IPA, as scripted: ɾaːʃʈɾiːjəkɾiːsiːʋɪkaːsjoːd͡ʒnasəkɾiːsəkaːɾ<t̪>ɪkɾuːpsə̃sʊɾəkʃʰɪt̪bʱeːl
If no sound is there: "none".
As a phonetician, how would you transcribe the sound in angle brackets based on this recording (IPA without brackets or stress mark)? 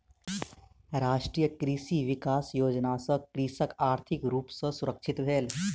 t̪ʰ